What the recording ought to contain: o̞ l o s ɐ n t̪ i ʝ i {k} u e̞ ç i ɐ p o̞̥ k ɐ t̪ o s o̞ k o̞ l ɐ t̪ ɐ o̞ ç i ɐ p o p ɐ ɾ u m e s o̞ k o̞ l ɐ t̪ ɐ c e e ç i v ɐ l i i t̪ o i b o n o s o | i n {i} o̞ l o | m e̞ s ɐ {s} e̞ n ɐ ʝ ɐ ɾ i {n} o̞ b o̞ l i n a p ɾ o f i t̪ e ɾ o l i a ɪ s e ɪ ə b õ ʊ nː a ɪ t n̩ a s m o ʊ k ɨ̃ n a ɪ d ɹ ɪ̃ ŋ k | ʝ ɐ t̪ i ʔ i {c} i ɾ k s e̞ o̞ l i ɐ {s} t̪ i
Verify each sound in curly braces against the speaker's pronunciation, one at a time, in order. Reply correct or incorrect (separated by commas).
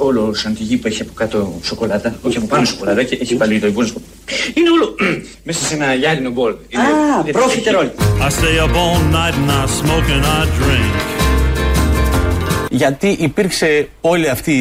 incorrect, incorrect, correct, correct, incorrect, incorrect